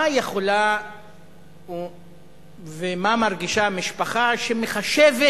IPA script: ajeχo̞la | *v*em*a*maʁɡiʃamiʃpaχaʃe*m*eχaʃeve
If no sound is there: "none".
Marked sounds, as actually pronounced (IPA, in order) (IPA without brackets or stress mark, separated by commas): v, a, m